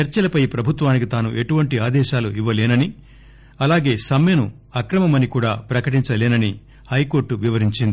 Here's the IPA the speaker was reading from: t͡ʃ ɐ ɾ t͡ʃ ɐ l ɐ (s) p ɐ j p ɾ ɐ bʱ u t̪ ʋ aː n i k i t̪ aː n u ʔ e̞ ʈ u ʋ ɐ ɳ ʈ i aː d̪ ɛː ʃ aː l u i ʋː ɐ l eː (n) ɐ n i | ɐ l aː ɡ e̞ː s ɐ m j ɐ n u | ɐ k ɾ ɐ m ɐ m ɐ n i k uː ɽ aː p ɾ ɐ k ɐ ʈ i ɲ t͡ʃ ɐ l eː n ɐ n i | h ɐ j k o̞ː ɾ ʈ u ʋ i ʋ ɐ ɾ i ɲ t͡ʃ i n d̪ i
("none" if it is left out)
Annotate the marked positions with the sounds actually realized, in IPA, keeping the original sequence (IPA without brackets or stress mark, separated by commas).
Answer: none, n